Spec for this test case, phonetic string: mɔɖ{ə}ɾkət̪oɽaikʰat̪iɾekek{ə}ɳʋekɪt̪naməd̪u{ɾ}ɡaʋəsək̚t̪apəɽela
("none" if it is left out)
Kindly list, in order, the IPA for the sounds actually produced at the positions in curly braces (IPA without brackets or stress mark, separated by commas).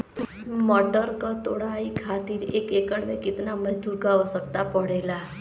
ə, ə, ɾ